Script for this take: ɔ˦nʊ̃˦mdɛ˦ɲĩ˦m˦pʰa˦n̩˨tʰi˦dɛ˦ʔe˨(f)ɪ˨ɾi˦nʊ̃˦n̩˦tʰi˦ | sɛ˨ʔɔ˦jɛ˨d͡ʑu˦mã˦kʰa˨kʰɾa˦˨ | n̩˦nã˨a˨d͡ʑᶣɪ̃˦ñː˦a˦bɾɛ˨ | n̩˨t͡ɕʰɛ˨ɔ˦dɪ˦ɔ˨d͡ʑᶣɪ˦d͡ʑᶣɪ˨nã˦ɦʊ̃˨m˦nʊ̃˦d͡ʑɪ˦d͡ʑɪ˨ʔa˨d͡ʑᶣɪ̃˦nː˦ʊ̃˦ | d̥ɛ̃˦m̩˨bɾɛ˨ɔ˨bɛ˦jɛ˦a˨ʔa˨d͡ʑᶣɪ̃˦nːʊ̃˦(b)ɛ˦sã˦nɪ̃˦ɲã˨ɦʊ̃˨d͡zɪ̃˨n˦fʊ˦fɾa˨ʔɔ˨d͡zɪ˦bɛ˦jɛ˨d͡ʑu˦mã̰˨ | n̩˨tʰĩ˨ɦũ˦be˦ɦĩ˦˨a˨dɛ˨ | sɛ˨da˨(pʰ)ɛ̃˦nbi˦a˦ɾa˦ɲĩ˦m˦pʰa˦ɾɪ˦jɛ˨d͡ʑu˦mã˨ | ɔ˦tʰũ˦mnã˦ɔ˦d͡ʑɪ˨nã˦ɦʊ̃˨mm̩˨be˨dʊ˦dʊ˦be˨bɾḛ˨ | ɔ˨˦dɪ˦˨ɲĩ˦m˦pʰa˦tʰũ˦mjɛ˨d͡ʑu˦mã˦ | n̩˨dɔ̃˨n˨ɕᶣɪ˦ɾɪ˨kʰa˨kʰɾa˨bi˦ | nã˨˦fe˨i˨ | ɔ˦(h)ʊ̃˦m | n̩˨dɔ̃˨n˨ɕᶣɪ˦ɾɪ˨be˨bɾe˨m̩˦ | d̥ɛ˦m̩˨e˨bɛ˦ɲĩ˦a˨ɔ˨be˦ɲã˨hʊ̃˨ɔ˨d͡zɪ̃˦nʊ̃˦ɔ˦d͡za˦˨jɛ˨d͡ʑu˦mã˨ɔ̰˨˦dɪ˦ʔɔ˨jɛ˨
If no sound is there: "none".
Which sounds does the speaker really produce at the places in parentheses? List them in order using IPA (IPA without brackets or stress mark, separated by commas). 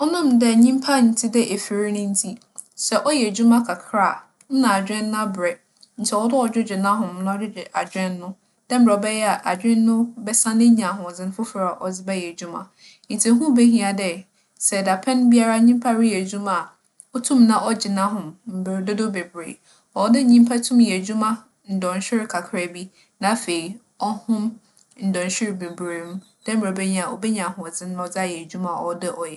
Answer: f, b, pʰ, h